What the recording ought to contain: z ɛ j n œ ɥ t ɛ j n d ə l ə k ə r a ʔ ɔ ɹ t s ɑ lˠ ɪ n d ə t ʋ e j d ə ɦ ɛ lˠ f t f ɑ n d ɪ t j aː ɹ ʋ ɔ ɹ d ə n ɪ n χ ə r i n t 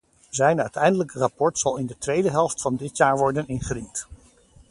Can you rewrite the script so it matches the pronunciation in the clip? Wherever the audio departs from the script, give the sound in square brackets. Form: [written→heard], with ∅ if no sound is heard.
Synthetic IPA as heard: z ɛ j n œ ɥ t ɛ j n d ə l ə k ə r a [ʔ→p] ɔ ɹ t s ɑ lˠ ɪ n d ə t ʋ e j d ə ɦ ɛ lˠ f t f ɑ n d ɪ t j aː ɹ ʋ ɔ ɹ d ə n ɪ n χ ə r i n t